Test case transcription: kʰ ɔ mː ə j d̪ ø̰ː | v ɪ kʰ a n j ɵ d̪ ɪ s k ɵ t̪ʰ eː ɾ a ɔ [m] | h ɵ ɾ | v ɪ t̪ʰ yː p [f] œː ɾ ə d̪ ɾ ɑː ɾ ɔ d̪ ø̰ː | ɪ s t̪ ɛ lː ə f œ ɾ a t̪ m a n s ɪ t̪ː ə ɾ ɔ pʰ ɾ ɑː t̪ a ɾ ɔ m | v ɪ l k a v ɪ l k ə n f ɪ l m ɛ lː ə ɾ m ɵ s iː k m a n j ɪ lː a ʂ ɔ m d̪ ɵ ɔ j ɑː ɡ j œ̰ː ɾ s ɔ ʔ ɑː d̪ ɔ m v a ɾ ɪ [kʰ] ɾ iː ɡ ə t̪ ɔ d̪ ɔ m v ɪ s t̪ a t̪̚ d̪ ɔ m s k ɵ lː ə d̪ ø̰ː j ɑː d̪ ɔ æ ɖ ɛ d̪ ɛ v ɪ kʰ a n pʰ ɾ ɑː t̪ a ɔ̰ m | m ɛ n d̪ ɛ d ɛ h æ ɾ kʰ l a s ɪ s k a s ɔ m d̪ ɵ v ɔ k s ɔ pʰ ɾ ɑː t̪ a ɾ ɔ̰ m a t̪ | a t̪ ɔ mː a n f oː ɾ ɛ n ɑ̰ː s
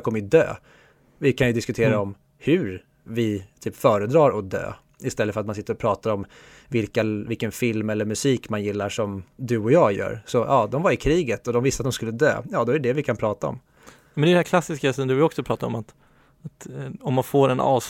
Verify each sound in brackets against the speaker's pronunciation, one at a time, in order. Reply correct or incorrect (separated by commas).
correct, correct, correct